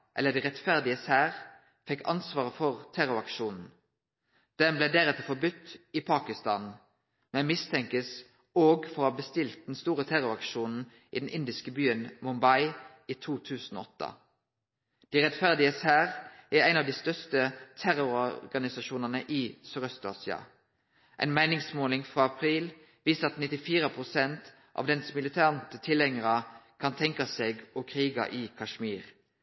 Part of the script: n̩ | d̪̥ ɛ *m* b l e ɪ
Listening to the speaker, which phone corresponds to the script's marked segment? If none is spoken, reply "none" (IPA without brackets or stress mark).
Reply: m